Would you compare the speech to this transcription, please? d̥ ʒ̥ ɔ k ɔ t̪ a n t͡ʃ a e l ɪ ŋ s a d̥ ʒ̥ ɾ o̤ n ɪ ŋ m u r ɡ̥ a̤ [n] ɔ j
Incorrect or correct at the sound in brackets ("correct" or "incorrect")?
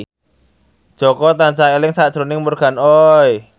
correct